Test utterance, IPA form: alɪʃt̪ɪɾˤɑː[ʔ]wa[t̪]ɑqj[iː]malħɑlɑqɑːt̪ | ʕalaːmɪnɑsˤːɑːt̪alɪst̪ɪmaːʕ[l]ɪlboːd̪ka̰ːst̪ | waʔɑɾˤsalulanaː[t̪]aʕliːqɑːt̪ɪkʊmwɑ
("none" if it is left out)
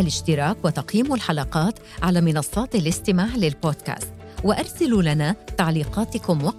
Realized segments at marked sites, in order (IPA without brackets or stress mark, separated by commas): k, t̪, iː, l, t̪